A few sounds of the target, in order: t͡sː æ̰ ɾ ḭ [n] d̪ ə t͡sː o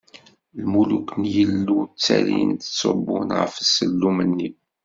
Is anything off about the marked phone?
no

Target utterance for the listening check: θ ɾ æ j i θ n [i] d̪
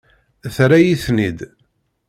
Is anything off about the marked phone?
no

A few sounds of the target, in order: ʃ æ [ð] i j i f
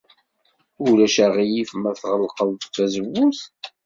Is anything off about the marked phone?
yes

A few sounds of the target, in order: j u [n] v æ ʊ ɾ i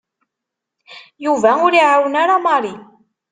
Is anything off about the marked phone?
yes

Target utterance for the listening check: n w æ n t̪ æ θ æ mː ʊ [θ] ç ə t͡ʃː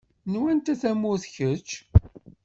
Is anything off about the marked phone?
no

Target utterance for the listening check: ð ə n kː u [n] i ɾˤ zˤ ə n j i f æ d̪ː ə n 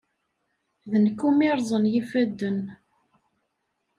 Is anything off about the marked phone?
yes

